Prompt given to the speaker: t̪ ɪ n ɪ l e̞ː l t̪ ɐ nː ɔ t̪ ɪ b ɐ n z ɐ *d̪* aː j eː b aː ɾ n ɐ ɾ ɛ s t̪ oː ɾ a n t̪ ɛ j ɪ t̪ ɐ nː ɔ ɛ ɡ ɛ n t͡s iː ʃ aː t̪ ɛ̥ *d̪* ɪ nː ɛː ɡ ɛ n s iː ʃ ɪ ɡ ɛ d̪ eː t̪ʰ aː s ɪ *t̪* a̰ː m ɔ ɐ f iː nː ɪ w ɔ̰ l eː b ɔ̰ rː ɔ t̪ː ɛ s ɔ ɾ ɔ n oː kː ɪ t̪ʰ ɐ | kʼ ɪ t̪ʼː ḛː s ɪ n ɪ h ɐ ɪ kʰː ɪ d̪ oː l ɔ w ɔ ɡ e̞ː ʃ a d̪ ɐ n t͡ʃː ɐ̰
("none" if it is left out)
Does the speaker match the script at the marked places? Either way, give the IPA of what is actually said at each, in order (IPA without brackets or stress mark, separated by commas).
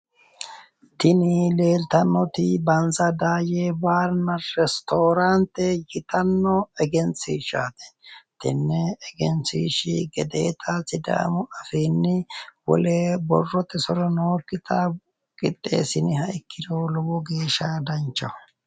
d̪, t̪, d̪